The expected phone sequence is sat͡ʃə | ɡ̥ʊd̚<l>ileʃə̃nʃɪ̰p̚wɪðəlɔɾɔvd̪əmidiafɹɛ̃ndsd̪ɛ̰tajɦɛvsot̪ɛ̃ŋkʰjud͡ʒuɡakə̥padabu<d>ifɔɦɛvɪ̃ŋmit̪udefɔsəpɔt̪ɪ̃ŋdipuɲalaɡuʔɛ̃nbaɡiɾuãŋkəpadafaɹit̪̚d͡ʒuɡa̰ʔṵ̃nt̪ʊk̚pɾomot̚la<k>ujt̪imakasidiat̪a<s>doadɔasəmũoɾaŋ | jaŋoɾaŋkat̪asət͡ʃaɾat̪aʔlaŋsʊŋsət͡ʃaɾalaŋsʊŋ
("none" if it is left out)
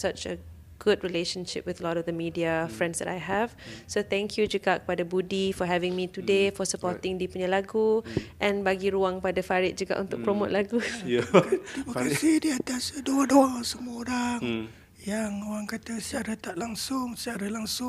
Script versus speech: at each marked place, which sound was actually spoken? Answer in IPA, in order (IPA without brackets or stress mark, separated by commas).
ɹ, d, ɡ, s